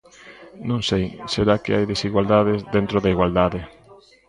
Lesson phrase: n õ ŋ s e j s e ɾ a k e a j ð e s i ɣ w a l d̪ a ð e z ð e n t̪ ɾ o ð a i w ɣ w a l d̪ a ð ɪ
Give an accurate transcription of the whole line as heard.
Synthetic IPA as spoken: n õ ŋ s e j s e ɾ a k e a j ð e s i ɣ w a l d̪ a ð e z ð e n t̪ ɾ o ð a i ɣ w a l d̪ a ð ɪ